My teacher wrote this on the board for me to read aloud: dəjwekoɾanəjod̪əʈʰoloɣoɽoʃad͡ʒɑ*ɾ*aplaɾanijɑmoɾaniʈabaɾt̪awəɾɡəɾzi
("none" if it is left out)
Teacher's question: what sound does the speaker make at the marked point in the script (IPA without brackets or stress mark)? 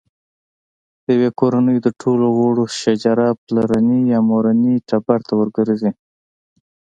ɾ